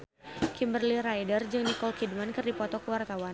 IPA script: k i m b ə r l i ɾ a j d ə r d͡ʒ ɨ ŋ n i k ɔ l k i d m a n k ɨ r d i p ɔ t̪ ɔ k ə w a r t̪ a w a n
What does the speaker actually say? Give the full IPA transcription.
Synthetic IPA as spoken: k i m b ə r l i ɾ a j d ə r d͡ʒ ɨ ŋ n i k ɔ l k i d m a n k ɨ r d i p ɔ t̪ ɔ k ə w a r t̪ a w a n